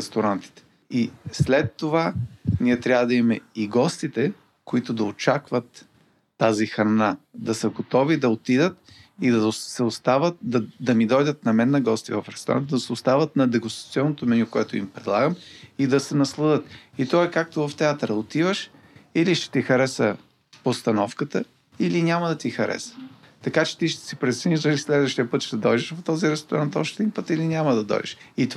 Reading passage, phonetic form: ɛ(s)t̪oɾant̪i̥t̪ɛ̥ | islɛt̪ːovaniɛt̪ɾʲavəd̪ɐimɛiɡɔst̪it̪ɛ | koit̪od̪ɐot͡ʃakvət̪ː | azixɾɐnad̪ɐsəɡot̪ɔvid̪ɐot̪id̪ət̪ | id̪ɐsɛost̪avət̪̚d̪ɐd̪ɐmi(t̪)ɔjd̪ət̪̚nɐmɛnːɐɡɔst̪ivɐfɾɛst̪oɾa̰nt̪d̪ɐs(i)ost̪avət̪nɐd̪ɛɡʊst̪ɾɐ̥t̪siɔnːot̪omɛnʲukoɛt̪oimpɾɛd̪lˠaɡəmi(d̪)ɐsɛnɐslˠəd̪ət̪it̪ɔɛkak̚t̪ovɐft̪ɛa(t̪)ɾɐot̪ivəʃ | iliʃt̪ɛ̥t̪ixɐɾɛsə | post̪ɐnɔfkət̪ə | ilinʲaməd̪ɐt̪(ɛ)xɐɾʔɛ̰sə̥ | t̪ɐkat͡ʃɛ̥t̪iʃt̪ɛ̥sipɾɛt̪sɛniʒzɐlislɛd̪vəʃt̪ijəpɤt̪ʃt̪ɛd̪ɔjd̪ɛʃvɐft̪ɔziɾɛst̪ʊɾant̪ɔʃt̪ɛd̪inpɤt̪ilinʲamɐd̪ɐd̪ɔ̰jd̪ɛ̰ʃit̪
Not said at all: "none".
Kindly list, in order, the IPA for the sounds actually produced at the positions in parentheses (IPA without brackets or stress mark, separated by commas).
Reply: s, d̪, ɛ, d̪, t̪, i